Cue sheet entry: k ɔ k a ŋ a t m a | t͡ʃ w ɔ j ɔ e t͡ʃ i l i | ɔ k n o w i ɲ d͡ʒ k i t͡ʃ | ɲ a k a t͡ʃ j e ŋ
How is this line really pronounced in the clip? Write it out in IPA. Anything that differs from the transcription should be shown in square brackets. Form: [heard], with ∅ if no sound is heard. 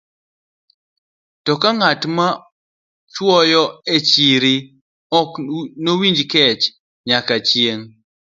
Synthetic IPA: [t] ɔ k a ŋ a t m a | t͡ʃ w ɔ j ɔ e t͡ʃ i [ɾ] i | ɔ k n o w i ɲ d͡ʒ k [ɛ] t͡ʃ | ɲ a k a t͡ʃ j e ŋ